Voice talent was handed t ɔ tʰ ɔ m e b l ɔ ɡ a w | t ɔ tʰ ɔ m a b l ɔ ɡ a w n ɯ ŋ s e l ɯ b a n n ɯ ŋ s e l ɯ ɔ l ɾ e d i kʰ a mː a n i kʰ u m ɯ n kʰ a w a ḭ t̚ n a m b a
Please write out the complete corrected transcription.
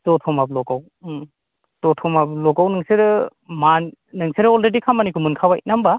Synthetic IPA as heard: t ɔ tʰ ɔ m a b l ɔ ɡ a w | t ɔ tʰ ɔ m a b l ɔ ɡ a w n ɯ ŋ s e ɾ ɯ m a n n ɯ ŋ s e ɾ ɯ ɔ l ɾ e d i kʰ a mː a n i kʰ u m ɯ n kʰ a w a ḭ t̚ n a m b a